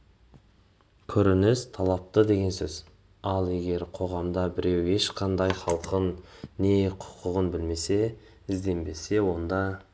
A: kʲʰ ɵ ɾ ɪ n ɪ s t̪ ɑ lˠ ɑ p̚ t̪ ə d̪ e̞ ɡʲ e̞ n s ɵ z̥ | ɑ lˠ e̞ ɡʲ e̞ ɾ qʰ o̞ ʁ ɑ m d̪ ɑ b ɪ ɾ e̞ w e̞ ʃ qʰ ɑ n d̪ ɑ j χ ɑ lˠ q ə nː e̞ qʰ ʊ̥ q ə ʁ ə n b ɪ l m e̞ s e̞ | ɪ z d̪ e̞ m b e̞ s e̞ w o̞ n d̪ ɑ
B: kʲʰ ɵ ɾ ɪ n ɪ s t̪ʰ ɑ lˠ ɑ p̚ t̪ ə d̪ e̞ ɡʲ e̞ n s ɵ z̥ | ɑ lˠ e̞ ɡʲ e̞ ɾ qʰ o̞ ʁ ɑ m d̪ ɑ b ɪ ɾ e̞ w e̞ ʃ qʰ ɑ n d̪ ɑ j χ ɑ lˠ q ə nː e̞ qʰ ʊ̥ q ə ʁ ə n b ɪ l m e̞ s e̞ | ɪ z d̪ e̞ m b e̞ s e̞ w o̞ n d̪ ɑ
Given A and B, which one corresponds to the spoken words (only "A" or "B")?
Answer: B